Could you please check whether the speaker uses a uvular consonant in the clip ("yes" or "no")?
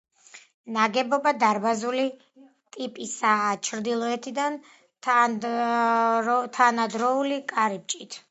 no